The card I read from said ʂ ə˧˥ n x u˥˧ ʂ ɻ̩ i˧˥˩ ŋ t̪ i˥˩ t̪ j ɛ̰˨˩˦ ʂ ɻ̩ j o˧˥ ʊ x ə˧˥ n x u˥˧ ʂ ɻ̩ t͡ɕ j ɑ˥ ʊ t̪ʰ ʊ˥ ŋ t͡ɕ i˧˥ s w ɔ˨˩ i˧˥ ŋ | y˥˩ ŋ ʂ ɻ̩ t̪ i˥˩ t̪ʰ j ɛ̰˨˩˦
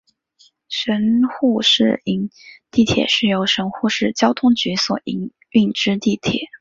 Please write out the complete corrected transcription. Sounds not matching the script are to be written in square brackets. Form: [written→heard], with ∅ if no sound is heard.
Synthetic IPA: ʂ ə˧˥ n x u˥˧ ʂ ɻ̩ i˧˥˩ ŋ t̪ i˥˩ [t̪→t̪ʰ] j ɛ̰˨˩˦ ʂ ɻ̩ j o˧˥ ʊ [x→ʂ] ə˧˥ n x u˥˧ ʂ ɻ̩ t͡ɕ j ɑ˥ ʊ t̪ʰ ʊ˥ ŋ t͡ɕ [i˧˥→y˧˥] s w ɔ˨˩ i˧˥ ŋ | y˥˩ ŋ [ʂ→ʈ͡ʂ] ɻ̩ t̪ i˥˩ t̪ʰ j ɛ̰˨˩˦